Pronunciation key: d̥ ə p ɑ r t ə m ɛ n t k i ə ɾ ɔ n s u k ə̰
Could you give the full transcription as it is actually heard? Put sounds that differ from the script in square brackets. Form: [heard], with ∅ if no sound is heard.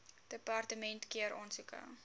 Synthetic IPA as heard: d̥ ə p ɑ r t ə m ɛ n t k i ə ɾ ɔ n s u k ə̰